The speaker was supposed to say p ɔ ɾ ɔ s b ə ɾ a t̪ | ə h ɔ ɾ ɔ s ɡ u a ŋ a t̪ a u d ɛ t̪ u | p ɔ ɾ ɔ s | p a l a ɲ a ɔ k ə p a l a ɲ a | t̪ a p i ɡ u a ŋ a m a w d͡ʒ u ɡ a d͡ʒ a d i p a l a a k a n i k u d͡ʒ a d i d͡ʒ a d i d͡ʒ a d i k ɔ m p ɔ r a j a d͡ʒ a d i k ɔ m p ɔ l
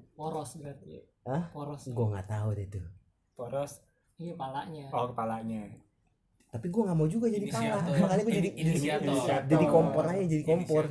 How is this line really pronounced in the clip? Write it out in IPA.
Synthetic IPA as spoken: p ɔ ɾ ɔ s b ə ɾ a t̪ | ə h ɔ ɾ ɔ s ɡ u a ŋ a t̪ a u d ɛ t̪ u | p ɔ ɾ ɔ s | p a l a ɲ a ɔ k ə p a l a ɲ a | t̪ a p i ɡ u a ŋ a m a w d͡ʒ u ɡ a d͡ʒ a d i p a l a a k a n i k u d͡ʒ a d i d͡ʒ a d i d͡ʒ a d i k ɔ m p ɔ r a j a d͡ʒ a d i k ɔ m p ɔ r